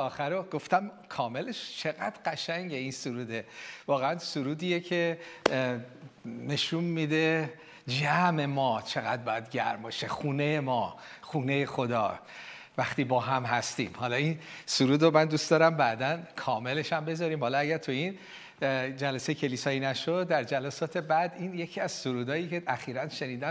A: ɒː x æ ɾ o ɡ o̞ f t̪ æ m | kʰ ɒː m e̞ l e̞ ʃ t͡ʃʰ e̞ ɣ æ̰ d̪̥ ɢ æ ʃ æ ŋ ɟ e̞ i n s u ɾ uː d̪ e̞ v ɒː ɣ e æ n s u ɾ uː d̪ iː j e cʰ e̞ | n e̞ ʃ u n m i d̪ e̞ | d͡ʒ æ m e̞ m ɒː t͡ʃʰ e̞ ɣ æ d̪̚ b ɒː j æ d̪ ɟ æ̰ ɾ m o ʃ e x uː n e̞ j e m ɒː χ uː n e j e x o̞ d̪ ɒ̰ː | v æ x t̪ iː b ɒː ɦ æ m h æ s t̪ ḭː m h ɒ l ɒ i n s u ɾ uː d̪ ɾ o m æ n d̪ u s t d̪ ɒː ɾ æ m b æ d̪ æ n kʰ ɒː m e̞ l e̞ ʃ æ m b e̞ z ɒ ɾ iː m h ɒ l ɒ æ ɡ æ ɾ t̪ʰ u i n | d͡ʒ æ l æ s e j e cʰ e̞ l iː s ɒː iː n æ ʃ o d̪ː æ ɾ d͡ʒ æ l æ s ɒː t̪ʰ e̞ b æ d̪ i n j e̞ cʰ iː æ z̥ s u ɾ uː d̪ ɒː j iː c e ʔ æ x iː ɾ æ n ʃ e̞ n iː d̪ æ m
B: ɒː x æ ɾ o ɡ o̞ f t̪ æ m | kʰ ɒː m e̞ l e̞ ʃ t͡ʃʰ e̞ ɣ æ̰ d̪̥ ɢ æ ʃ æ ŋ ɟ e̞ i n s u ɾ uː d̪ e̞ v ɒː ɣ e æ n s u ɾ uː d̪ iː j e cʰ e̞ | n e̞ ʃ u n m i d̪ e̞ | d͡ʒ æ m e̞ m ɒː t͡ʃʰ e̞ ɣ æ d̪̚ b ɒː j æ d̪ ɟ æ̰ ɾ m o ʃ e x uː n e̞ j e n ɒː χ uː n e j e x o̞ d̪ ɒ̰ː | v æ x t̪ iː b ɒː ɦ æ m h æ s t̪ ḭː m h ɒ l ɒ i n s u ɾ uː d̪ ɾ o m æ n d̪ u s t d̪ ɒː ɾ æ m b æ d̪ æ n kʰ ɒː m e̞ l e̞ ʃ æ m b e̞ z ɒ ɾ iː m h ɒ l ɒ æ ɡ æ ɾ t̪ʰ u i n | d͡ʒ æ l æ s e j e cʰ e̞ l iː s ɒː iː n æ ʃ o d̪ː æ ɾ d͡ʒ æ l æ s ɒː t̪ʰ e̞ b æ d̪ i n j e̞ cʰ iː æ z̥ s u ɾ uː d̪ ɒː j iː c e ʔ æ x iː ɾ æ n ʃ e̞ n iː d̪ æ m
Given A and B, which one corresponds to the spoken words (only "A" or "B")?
A